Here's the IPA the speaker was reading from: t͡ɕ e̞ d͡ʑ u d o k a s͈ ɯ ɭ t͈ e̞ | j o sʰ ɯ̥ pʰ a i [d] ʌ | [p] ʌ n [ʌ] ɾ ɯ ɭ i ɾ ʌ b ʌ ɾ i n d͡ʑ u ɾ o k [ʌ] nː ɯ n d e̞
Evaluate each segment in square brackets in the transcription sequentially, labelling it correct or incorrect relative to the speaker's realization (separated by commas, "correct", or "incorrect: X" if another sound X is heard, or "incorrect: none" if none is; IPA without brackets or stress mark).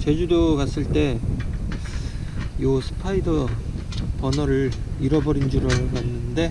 correct, correct, correct, incorrect: a